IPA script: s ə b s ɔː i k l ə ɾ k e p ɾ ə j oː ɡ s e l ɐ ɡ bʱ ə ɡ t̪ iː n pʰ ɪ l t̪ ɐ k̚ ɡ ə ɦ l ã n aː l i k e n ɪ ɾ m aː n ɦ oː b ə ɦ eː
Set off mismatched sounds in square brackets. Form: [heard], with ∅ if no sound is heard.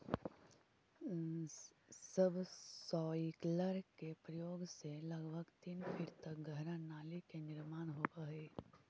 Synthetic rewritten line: s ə b s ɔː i k l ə ɾ k e p ɾ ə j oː ɡ s e l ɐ ɡ bʱ ə ɡ t̪ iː n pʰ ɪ [ɾ] t̪ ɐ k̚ ɡ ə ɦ [ɾ] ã n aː l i k e n ɪ ɾ m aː n ɦ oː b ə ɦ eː